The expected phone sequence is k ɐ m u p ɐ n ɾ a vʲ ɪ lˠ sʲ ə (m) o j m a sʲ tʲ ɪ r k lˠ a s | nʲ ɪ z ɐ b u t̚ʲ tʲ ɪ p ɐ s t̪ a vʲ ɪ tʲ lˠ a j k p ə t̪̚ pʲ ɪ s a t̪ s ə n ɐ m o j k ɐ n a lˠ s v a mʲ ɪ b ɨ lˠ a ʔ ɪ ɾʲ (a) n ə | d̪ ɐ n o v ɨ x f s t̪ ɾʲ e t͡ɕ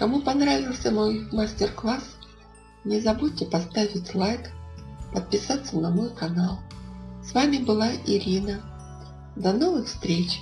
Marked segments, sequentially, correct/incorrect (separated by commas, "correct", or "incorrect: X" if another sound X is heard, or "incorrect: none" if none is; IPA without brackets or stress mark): correct, incorrect: i